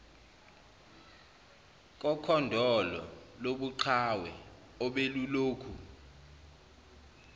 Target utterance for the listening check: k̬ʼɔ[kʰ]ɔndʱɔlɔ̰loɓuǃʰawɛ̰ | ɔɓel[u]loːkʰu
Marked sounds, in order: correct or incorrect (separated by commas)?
correct, correct